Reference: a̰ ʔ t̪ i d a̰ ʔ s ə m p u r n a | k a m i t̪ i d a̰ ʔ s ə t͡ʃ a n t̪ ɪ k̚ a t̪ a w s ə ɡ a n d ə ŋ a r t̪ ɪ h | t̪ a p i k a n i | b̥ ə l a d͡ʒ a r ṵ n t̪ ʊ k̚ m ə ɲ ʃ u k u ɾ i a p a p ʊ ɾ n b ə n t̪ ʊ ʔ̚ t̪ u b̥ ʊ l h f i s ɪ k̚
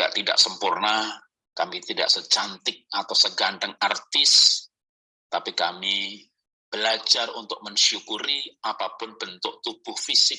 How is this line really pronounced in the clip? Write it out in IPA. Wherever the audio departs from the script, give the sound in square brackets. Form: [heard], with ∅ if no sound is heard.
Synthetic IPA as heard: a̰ ʔ t̪ i d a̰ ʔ s ə m p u r n a | k a m i t̪ i d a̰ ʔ s ə t͡ʃ a n t̪ ɪ k̚ a t̪ a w s ə ɡ a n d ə ŋ a r t̪ ɪ [s] | t̪ a p i k a [m] i | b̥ ə l a d͡ʒ a r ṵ n t̪ ʊ k̚ m ə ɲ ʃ u k u ɾ i a p a p ʊ [∅] n b ə n t̪ ʊ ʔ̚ t̪ u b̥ ʊ [∅] h f i s ɪ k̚

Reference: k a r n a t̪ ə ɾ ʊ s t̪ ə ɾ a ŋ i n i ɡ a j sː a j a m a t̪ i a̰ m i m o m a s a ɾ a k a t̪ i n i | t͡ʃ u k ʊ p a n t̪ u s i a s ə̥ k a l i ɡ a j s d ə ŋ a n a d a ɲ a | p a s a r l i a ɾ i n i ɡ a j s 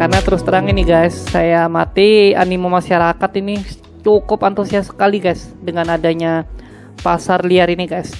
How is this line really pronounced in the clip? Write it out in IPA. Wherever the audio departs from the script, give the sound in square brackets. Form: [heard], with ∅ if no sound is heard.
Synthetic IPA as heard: k a r n a t̪ ə ɾ ʊ s t̪ ə ɾ a ŋ i n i ɡ a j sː a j a m a t̪ i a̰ [n] i m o m a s a ɾ a k a t̪ i n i | t͡ʃ u k ʊ p a n t̪ u s i a s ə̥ k a l i ɡ a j s d ə ŋ a n a d a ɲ a | p a s a r l i a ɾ i n i ɡ a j s

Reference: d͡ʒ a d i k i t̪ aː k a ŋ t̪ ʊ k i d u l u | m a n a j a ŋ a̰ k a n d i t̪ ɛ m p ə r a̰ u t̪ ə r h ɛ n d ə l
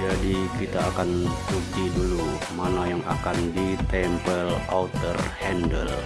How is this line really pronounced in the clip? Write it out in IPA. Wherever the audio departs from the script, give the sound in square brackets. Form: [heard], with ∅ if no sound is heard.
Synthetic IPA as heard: d͡ʒ a d i k i t̪ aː k a [n] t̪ [u] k i d u l u | m a n a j a ŋ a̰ k a n d i t̪ ɛ m p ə [l] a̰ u t̪ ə r h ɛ n d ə l

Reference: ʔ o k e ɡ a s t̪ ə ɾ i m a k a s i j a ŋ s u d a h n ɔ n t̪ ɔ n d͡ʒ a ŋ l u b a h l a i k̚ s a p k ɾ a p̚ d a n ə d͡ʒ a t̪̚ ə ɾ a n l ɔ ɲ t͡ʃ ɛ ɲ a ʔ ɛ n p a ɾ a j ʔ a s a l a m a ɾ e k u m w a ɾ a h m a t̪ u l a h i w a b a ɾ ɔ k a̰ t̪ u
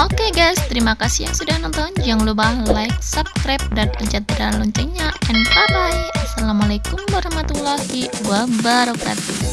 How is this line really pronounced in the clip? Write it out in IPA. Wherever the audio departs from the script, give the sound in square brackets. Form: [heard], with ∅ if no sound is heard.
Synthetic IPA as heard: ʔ o k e ɡ a s t̪ ə ɾ i m a k a s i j a ŋ s u d a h n ɔ n t̪ ɔ n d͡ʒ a ŋ l u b a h l a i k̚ s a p k ɾ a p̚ d a n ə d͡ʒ a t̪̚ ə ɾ a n l ɔ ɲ t͡ʃ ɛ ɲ a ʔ ɛ n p a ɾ a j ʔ a s a l a m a [l] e k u m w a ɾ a h m a t̪ u l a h i w a b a ɾ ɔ k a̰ t̪ u

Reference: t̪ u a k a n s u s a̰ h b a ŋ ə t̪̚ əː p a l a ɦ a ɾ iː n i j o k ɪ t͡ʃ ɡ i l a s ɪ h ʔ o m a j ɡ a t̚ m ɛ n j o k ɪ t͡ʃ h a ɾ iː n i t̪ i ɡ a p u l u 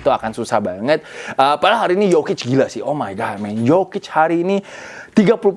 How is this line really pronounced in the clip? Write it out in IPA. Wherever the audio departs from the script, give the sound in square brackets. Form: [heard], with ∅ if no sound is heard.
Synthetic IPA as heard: t̪ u a k a n s u s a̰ h b a ŋ ə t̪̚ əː p a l a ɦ a ɾ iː n i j o k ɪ t͡ʃ ɡ i l a s ɪ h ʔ o m a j ɡ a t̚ m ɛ n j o k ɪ t͡ʃ h a ɾ iː n i t̪ i ɡ a p u l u

